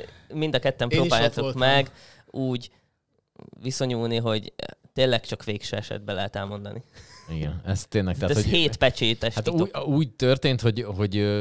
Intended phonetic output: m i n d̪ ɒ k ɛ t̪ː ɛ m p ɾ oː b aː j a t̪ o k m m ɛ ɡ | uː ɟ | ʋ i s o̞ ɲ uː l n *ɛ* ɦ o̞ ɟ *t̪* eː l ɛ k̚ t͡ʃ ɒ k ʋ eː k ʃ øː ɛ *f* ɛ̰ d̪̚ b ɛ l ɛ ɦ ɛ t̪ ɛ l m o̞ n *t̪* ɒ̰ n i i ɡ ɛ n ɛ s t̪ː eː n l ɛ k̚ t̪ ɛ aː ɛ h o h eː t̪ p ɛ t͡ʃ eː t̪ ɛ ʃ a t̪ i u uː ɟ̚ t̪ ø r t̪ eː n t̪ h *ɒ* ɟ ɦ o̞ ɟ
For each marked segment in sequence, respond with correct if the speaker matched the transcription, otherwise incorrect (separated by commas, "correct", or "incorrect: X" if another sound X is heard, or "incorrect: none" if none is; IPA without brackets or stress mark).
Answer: incorrect: i, correct, incorrect: ʃ, incorrect: d̪, incorrect: o